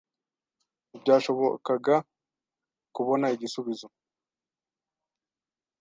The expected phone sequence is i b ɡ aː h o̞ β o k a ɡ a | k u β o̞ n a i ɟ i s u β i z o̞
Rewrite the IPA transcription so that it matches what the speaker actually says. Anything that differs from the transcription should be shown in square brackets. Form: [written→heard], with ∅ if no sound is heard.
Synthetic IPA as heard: i b [ɡ→ɟ] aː [h→ʃ] o̞ β o k a ɡ a | k u β o̞ n a i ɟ i s u β i z o̞